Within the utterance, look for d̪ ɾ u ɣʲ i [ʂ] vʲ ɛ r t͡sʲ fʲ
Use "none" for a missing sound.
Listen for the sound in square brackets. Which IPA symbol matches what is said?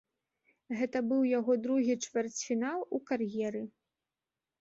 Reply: t͡ʂ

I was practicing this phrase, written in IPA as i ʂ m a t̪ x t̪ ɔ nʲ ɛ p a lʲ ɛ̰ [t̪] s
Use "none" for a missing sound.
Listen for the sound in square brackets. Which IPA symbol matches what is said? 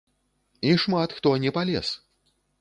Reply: none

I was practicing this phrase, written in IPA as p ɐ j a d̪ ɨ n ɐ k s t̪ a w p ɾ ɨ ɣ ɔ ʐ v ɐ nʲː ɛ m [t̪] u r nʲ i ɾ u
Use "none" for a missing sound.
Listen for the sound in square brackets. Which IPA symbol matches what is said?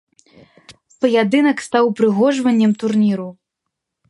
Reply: t̪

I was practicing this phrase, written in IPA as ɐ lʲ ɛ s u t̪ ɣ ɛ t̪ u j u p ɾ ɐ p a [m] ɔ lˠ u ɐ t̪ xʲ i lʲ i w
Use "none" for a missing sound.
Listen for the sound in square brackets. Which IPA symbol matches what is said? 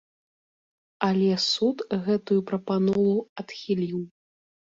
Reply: n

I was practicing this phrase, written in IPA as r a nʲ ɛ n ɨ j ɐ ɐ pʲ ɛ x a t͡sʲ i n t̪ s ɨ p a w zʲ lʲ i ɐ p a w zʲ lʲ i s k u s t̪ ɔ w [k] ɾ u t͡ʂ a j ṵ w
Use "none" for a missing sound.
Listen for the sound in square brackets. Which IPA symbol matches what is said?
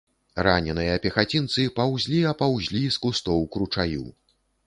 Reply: k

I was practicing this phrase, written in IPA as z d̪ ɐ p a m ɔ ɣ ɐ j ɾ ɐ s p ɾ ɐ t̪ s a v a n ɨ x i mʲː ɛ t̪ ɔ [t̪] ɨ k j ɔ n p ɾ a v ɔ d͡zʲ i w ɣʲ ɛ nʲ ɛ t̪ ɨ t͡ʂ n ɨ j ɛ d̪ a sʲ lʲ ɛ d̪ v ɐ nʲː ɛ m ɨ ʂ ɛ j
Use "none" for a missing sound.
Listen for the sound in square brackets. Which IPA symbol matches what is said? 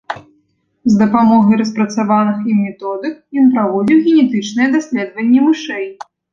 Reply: d̪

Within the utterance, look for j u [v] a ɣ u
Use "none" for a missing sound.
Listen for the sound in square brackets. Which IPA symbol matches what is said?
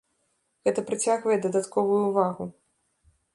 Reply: v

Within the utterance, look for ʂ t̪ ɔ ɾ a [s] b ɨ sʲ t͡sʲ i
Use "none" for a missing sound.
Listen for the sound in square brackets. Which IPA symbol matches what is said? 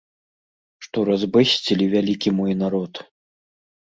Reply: z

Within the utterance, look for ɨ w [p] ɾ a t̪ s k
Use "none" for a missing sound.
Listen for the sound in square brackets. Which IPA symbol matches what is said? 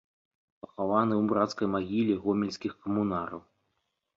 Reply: b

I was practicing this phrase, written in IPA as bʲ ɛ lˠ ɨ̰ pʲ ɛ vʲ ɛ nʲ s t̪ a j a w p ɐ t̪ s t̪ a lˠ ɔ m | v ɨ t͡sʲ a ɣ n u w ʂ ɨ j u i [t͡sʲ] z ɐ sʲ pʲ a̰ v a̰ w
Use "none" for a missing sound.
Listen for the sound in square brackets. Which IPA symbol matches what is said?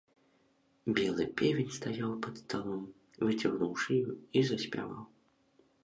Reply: none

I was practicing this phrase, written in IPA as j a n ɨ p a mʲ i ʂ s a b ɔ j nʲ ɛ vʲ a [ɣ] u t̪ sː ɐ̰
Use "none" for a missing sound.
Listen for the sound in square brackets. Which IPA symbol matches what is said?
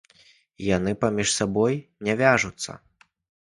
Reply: ʐ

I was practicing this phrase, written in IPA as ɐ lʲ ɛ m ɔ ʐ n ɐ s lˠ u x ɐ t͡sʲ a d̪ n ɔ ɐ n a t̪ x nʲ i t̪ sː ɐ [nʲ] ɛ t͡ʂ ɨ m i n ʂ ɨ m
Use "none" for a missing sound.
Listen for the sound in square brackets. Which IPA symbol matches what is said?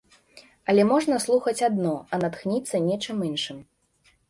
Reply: nʲ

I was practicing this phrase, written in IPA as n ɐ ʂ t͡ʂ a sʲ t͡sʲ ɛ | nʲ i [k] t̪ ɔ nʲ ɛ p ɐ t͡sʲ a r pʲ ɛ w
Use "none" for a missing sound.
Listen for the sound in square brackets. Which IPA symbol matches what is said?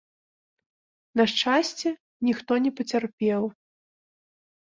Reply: x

